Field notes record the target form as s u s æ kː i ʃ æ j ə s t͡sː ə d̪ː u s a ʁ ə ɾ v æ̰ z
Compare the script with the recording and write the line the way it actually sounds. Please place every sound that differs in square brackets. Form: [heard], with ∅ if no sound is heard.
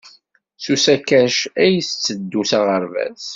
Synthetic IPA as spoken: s u s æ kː [æ] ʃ æ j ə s t͡sː ə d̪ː u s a ʁ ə ɾ v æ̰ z